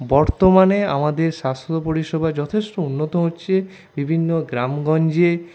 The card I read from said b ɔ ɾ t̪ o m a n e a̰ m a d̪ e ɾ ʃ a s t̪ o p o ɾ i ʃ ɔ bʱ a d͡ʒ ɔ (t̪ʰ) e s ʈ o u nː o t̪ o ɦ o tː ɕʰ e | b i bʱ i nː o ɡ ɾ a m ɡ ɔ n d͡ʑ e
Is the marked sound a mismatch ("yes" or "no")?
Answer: no